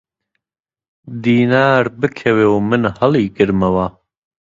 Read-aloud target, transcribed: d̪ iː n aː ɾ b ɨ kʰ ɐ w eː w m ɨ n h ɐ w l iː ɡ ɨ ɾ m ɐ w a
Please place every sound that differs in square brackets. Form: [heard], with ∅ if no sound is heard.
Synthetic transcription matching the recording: d̪ iː n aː ɾ b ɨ kʰ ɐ w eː w m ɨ n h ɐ [∅] l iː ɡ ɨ ɾ m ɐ w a